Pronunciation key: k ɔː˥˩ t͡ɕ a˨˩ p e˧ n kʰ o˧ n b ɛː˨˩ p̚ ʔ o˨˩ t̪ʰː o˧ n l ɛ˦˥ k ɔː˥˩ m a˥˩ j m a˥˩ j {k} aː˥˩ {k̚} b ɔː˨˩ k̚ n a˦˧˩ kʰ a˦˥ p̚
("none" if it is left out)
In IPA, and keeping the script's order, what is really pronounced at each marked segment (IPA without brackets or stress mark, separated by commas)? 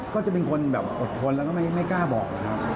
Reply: k, none